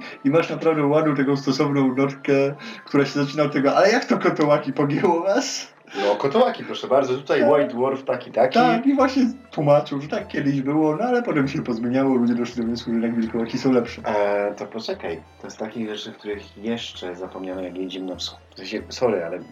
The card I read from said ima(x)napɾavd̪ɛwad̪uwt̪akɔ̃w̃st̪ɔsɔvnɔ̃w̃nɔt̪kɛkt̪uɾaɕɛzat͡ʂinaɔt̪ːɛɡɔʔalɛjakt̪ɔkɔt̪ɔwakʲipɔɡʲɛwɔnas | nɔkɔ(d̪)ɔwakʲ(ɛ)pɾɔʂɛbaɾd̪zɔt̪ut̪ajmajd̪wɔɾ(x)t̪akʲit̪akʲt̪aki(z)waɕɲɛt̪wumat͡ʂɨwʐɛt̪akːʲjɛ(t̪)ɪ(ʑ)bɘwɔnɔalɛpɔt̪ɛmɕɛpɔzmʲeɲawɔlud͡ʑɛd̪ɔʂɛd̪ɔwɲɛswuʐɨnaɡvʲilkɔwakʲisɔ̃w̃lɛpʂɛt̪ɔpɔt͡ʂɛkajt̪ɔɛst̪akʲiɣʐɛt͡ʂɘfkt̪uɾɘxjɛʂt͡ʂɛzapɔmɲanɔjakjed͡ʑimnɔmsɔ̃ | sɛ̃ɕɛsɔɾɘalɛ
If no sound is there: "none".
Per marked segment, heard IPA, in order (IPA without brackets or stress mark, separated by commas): ʂ, t̪, i, f, v, d̪, ʑ